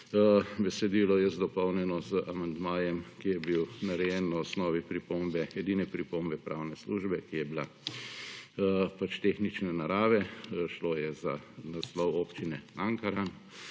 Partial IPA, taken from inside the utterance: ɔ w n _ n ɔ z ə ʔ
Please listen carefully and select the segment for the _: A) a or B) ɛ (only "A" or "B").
B